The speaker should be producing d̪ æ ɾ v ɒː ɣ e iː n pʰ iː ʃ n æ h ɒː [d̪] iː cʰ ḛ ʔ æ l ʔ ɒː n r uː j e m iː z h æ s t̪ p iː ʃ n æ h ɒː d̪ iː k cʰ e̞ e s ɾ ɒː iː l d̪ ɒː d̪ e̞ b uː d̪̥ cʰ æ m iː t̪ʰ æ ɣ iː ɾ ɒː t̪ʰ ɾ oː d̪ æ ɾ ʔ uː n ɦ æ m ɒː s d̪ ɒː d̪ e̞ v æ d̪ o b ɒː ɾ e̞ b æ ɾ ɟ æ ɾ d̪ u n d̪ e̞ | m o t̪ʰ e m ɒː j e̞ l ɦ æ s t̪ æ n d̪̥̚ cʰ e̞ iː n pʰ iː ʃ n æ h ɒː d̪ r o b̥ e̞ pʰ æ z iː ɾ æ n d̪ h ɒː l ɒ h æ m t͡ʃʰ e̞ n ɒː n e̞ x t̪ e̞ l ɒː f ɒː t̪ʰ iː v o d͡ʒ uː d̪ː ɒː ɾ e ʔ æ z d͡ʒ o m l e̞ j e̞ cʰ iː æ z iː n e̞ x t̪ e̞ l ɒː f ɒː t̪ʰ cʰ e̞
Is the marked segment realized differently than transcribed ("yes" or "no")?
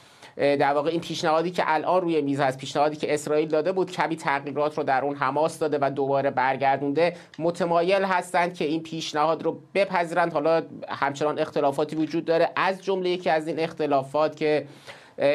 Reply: no